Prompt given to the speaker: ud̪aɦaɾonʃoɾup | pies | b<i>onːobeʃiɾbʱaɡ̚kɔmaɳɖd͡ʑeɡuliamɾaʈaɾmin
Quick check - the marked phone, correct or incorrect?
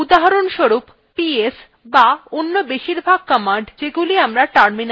incorrect: a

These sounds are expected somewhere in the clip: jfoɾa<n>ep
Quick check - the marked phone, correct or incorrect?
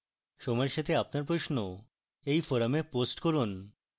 incorrect: m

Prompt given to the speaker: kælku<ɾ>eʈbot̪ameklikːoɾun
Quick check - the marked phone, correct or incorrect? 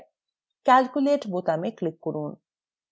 incorrect: l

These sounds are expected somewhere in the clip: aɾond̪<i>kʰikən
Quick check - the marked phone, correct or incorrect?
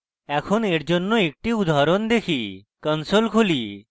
incorrect: e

